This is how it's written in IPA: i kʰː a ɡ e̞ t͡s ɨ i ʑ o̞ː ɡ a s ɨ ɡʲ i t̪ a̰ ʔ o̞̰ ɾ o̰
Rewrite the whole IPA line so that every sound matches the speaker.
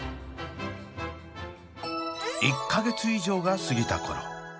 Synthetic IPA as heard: i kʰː a ɡ e̞ t͡s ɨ i ʑ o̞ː ɡ a s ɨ ɡʲ i t̪ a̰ k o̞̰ ɾ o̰